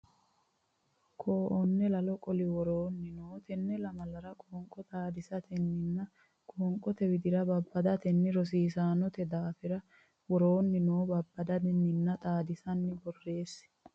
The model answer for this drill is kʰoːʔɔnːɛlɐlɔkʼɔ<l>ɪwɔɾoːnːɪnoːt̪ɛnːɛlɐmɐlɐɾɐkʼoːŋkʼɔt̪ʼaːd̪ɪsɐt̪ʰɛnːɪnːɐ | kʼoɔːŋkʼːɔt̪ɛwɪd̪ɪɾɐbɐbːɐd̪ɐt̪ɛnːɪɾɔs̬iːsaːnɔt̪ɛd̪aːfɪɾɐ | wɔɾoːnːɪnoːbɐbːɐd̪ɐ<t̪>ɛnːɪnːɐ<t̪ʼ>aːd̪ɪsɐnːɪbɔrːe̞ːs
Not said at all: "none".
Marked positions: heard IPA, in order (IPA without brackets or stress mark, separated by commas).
l, d̪, t̪ʼ